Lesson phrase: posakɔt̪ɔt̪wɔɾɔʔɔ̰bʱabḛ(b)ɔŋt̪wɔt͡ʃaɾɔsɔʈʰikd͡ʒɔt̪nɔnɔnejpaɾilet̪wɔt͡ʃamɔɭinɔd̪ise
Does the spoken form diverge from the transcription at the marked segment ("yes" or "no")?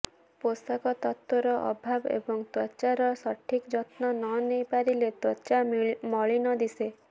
no